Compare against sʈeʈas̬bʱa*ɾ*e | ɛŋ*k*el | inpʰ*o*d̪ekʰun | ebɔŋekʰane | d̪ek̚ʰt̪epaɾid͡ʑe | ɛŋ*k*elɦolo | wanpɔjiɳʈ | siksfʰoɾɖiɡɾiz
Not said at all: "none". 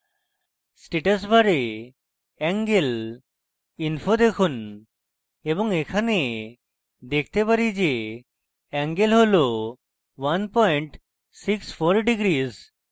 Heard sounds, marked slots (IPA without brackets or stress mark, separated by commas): ɾ, ɡ, o, ɡ